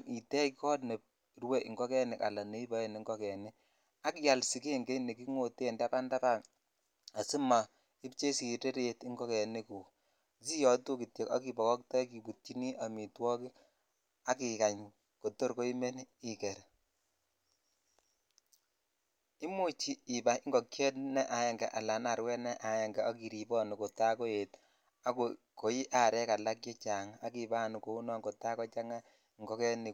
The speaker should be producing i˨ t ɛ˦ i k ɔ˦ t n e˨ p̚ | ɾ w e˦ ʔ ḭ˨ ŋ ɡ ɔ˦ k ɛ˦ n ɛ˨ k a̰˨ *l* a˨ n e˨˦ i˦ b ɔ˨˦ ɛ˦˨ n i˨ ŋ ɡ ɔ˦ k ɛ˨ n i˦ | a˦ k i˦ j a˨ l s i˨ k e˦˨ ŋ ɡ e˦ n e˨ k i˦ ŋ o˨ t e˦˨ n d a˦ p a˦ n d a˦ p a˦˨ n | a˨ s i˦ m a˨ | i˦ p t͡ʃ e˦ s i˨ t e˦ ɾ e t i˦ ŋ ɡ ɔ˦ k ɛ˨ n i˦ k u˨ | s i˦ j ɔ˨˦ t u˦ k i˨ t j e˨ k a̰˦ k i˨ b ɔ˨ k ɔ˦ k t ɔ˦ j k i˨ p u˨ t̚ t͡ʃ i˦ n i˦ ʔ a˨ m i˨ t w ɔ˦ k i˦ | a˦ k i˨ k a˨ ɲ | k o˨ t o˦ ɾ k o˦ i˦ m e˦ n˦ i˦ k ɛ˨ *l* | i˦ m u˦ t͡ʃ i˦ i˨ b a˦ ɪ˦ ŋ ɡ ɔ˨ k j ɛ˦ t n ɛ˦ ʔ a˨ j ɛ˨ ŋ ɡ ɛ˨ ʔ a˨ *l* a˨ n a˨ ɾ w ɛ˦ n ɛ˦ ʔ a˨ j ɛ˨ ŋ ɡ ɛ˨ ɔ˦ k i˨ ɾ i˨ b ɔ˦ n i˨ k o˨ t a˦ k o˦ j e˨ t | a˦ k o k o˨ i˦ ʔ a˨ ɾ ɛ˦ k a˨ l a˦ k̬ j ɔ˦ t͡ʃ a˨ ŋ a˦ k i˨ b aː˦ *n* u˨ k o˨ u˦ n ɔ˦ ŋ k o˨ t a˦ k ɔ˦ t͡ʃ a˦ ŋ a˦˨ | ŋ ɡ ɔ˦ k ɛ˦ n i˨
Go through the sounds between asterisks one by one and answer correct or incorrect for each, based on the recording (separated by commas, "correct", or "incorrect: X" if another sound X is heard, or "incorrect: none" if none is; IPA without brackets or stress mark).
correct, incorrect: ɾ, correct, correct